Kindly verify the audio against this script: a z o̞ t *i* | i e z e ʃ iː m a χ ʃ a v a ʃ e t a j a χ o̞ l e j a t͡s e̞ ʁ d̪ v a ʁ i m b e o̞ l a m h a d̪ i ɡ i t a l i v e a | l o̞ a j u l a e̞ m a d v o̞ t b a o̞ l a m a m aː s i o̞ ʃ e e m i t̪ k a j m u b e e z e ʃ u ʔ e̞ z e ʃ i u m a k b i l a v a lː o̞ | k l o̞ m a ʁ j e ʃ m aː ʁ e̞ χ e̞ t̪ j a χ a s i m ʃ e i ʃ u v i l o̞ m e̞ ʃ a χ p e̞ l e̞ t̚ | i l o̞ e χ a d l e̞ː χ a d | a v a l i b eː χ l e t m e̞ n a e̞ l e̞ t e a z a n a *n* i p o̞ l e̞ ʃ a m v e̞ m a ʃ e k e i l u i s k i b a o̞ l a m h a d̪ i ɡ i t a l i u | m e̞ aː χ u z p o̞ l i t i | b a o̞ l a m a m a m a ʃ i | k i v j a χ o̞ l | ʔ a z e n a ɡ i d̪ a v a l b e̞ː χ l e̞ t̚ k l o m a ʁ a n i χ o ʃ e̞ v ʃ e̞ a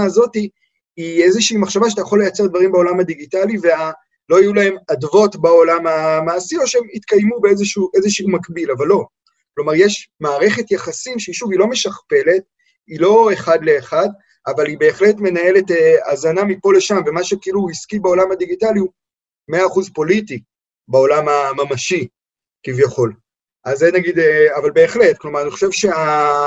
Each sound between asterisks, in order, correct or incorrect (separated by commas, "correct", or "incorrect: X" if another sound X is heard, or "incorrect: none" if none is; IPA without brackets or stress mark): correct, incorrect: m